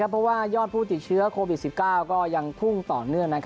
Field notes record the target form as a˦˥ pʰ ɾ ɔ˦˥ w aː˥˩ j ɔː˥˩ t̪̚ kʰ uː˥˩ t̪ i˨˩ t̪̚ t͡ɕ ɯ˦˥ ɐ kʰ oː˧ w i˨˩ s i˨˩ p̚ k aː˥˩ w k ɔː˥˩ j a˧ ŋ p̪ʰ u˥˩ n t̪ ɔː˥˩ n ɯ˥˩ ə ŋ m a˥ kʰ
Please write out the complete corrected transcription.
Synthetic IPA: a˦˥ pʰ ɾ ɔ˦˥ w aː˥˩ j ɔː˥˩ t̪̚ pʰ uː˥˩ t̪ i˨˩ t̪̚ t͡ɕʰ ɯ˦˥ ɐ kʰ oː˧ w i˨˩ s i˨˩ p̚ k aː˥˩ w k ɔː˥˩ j a˧ ŋ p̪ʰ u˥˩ ŋ t̪ ɔː˨˩ n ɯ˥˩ ə ŋ n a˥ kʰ